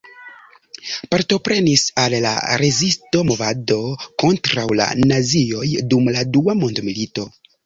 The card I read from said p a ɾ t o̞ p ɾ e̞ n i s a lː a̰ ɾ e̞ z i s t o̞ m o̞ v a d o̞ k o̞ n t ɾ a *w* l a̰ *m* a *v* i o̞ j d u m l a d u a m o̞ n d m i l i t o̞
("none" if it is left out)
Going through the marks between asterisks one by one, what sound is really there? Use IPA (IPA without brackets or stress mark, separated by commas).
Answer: w, n, z